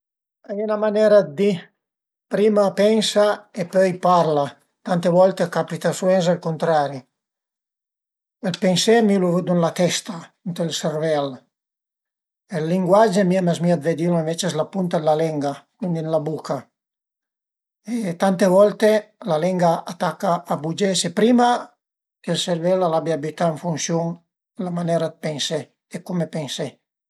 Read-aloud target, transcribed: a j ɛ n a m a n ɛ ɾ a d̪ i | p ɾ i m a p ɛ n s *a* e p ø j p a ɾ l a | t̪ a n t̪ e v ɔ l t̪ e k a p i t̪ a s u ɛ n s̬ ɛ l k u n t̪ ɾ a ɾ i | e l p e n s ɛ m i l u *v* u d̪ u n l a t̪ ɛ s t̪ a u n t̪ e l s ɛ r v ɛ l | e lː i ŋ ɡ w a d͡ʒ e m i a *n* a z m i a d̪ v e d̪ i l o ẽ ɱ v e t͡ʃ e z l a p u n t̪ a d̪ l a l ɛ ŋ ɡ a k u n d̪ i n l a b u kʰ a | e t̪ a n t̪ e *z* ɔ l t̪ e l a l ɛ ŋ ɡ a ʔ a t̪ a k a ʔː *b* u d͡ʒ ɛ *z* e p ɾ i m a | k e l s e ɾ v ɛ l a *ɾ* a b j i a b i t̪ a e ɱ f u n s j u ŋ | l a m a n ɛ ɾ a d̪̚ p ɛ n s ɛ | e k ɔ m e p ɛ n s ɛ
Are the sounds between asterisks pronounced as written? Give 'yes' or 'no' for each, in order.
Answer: yes, yes, no, no, yes, no, no

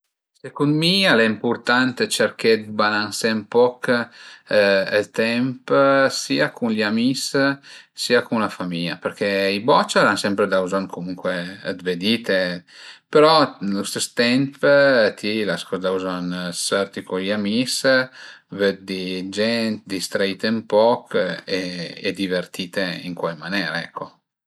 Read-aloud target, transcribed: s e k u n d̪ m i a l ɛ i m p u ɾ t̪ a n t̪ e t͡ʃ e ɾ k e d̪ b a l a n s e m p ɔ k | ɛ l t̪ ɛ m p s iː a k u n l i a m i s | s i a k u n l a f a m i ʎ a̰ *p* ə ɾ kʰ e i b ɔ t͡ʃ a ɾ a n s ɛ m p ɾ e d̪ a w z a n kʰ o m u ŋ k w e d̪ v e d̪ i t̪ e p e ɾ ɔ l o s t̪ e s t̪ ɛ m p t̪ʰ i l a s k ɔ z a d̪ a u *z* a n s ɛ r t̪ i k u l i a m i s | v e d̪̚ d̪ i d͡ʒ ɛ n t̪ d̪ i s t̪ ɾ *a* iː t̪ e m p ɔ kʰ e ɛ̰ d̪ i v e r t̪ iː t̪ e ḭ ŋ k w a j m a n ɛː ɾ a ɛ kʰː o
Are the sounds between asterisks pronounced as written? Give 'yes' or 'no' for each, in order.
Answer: yes, yes, yes

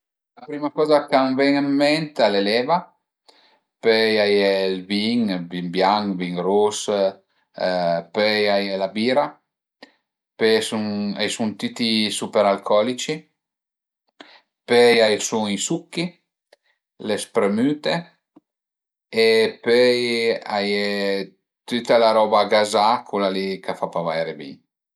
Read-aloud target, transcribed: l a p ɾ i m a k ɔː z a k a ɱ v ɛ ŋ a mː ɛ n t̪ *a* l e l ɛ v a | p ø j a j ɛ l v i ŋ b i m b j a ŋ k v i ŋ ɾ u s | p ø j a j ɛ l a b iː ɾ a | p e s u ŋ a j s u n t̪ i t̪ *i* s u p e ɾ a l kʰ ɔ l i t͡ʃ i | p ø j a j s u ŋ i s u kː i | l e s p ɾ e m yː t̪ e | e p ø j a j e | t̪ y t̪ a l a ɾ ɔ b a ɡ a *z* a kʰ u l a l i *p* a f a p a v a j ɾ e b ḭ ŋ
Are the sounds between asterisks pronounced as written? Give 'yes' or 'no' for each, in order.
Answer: yes, yes, yes, no

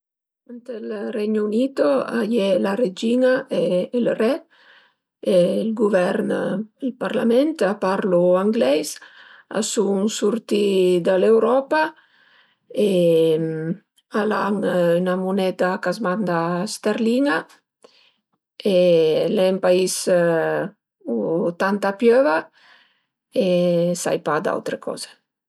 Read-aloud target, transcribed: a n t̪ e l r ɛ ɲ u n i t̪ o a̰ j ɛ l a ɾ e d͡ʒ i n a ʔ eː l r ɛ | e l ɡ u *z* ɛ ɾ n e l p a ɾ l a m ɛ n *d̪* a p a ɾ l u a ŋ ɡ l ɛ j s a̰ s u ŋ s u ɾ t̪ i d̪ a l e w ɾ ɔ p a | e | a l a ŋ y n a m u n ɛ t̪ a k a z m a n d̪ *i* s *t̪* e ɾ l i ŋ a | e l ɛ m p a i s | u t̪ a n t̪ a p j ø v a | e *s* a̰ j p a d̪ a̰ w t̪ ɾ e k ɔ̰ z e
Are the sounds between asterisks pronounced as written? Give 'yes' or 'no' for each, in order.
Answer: no, no, no, yes, yes

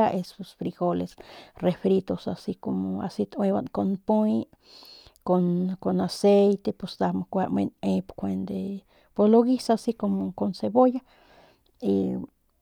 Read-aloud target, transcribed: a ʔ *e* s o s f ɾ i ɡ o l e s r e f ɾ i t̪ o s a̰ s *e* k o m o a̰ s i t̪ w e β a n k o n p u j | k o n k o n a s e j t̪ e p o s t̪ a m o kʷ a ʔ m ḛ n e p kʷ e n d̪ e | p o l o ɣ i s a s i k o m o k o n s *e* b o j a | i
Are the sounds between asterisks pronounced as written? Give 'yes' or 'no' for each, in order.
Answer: yes, no, yes

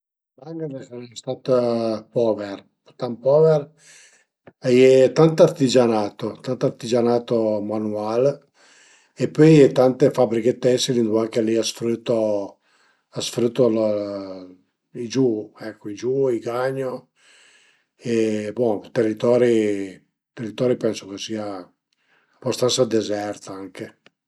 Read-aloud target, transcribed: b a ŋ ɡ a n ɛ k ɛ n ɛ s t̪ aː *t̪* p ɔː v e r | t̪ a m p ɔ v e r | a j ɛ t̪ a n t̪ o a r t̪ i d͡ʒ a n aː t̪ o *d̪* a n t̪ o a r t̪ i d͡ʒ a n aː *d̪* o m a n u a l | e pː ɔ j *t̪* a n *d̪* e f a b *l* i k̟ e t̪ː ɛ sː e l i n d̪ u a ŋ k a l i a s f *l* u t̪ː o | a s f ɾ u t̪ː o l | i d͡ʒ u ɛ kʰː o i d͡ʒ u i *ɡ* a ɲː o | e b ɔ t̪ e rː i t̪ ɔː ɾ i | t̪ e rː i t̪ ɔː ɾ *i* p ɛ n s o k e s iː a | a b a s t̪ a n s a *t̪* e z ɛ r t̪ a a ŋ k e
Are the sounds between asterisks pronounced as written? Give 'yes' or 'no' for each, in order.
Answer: yes, no, no, yes, no, no, no, yes, yes, no

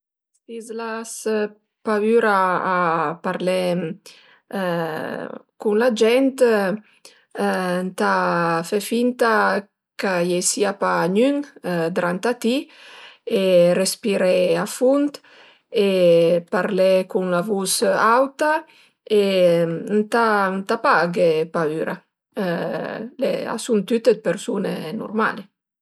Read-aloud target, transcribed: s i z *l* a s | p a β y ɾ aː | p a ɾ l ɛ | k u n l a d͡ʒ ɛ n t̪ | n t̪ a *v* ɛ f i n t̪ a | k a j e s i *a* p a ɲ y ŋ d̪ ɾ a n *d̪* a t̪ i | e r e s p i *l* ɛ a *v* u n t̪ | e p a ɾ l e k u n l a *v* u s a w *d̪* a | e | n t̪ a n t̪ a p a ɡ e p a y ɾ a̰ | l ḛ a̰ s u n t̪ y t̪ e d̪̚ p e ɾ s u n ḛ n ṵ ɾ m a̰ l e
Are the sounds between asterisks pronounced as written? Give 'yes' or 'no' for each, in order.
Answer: yes, no, yes, no, no, no, yes, no

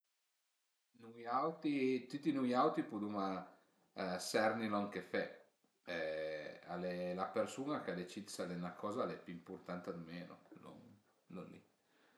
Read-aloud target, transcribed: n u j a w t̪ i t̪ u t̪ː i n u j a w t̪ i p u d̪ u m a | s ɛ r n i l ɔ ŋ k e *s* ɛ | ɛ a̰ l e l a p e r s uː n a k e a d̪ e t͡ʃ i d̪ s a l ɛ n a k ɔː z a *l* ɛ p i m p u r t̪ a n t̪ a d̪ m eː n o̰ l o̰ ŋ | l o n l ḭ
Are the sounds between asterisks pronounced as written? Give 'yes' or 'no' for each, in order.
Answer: no, yes

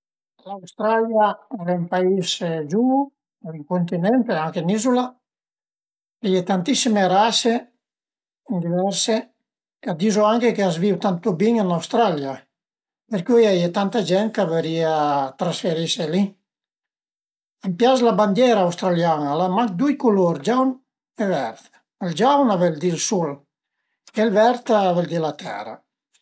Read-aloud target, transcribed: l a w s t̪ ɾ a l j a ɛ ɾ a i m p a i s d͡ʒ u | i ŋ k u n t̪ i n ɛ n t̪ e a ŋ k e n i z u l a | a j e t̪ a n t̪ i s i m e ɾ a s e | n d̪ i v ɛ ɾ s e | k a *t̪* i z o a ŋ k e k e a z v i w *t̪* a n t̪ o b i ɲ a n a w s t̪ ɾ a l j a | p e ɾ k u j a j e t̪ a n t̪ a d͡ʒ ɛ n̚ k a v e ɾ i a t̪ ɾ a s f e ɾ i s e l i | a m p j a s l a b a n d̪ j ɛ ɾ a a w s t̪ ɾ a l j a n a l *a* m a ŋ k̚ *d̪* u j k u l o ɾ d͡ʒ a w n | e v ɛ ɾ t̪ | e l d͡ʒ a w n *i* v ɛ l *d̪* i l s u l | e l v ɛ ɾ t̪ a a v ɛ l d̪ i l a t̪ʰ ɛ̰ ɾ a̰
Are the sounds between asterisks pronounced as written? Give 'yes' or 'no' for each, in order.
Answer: no, yes, yes, yes, no, yes

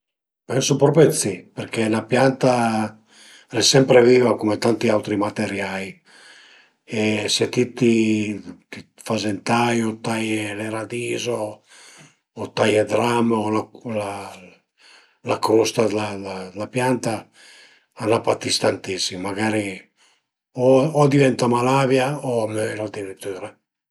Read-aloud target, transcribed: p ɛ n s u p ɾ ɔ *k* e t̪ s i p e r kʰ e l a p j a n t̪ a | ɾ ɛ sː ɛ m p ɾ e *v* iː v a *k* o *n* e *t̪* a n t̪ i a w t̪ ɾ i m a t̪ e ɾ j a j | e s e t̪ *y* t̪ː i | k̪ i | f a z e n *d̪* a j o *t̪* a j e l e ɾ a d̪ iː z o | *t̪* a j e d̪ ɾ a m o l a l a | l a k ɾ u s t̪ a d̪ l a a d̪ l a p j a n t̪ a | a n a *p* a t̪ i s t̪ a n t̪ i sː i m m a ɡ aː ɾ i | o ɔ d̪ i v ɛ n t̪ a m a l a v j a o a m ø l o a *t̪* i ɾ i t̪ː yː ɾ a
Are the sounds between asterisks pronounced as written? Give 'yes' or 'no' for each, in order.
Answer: no, yes, yes, no, yes, no, no, yes, yes, yes, no

